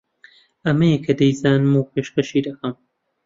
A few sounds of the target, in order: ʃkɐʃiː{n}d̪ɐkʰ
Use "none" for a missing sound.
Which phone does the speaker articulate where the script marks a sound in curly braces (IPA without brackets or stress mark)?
none